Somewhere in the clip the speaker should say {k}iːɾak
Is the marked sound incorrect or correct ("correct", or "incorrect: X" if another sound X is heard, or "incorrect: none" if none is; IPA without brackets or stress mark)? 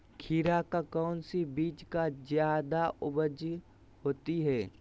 incorrect: kʰ